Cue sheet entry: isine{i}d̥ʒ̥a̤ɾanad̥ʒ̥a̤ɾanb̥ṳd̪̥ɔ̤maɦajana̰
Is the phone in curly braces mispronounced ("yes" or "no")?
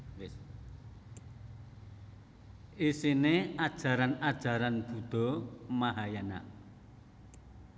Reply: yes